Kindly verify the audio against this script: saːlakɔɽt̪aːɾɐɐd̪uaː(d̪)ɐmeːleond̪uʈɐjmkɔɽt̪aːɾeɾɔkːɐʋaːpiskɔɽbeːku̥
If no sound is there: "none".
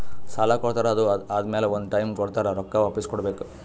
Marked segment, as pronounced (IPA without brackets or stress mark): d̪